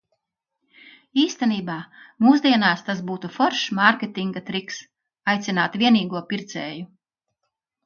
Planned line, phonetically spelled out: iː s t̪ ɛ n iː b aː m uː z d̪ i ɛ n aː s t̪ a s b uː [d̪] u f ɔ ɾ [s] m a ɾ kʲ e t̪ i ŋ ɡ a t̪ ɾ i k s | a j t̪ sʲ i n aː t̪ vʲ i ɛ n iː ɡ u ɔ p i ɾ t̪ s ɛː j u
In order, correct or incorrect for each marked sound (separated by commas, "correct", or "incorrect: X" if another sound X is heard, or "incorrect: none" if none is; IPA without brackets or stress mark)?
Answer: incorrect: t̪, incorrect: ʃ